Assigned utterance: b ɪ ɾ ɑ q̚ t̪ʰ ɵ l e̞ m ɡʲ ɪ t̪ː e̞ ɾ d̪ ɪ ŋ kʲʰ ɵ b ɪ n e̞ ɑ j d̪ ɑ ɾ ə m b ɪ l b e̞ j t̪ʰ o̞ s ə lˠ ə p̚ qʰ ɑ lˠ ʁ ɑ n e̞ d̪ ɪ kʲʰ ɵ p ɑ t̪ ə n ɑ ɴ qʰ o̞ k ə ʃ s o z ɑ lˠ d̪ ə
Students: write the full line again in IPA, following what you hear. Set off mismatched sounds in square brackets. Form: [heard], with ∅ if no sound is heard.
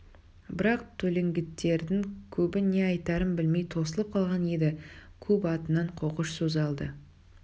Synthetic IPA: b ɪ ɾ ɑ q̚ t̪ʰ ɵ l e̞ [ŋ] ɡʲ ɪ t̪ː e̞ ɾ d̪ ɪ ŋ kʲʰ ɵ b ɪ n e̞ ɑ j [t̪] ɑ ɾ ə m b ɪ l [m] e̞ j t̪ʰ o̞ s ə lˠ ə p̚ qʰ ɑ lˠ ʁ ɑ n e̞ d̪ ɪ kʲʰ ɵ p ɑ t̪ ə n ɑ ɴ qʰ o̞ [q] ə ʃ s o z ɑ lˠ d̪ ə